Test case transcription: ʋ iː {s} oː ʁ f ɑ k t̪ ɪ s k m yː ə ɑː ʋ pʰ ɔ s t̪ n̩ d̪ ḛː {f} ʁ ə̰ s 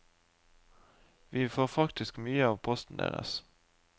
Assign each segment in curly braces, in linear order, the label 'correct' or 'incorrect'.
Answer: incorrect: f, incorrect: none

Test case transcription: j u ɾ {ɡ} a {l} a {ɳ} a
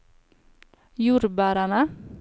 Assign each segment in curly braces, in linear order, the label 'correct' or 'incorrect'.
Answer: incorrect: b, incorrect: ɾ, incorrect: n

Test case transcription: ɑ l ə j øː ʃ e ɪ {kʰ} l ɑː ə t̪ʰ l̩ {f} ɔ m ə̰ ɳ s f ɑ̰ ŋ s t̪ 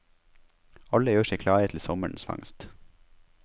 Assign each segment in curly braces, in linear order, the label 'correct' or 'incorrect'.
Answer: correct, incorrect: s

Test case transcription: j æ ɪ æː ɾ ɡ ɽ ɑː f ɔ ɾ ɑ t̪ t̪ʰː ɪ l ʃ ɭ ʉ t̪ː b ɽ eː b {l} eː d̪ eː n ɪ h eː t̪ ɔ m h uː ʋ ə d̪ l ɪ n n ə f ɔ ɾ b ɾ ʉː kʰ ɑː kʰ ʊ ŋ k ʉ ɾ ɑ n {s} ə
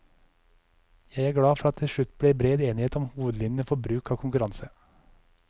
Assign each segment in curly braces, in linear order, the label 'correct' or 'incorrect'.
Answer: incorrect: ɾ, correct

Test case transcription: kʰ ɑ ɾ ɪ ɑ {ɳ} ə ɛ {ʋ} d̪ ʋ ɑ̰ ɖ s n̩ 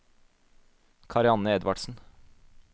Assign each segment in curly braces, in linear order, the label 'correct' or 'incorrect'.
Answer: incorrect: n, incorrect: none

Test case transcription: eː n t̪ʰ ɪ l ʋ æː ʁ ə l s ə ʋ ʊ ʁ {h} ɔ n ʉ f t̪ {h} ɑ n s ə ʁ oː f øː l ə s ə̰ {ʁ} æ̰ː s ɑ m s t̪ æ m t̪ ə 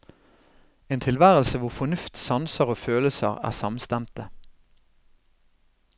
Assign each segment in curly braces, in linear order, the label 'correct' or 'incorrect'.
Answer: incorrect: f, incorrect: s, correct

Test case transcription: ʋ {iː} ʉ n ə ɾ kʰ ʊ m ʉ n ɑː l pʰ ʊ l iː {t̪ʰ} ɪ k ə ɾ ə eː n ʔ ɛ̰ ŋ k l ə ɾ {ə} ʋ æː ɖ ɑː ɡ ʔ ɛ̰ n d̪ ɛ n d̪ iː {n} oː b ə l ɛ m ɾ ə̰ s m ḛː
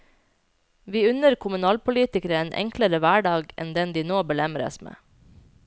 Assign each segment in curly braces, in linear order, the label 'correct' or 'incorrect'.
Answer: correct, incorrect: t̪, correct, correct

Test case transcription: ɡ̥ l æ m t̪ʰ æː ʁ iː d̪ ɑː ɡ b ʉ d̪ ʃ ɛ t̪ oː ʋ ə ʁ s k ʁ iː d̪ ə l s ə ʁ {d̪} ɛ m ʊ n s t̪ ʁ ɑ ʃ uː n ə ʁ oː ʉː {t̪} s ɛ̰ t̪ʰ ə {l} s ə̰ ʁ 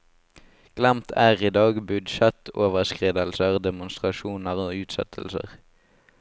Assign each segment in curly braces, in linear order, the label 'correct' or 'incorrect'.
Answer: correct, correct, correct

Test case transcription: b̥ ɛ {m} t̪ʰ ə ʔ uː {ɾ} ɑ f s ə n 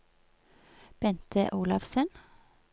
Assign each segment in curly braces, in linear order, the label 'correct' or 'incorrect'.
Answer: incorrect: n, incorrect: l

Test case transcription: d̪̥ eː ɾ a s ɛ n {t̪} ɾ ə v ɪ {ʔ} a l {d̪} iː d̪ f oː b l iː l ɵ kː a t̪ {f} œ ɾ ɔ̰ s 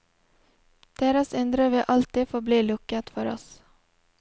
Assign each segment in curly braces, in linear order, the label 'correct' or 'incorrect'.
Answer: incorrect: d̪, correct, incorrect: t̪, correct

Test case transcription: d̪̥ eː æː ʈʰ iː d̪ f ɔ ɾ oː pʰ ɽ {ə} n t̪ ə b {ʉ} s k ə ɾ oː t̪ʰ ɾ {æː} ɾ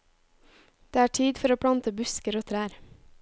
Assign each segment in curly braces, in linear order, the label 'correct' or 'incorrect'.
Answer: incorrect: ɑ, correct, correct

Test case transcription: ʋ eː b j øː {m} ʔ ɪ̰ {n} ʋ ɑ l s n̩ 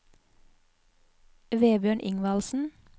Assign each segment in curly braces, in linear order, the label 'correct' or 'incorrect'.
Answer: incorrect: ɳ, incorrect: ŋ

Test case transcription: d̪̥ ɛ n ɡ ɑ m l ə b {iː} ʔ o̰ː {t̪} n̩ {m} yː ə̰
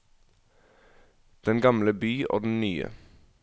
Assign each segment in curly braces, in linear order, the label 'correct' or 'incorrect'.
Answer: incorrect: yː, incorrect: d̪, incorrect: n

